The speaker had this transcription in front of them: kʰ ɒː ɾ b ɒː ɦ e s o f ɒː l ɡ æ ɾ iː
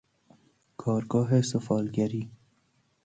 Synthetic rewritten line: kʰ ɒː ɾ ɡ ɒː ɦ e s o f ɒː l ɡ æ ɾ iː